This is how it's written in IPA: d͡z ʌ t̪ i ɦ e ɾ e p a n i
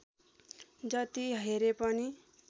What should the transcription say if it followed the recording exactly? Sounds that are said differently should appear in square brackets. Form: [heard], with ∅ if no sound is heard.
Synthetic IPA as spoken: d͡z ʌ t̪ i ɦ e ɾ e p [ʌ] n i